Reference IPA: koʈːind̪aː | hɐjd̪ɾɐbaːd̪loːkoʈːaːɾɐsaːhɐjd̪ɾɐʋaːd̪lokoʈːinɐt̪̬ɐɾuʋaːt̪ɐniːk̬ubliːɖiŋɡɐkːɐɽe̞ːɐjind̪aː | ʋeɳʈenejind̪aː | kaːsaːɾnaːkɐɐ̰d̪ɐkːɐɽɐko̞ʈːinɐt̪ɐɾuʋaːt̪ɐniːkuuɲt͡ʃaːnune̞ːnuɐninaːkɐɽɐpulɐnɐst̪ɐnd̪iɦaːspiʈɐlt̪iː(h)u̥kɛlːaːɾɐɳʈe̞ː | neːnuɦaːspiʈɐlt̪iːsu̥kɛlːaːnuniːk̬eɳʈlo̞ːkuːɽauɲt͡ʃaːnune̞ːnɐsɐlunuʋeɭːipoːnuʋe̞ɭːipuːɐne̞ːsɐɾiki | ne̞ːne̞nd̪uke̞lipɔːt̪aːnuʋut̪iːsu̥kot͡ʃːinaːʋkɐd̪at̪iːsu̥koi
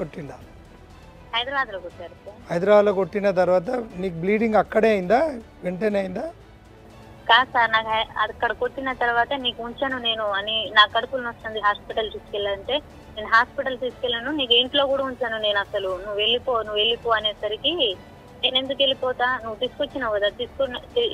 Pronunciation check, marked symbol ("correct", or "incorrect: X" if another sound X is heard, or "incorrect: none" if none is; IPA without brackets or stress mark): incorrect: s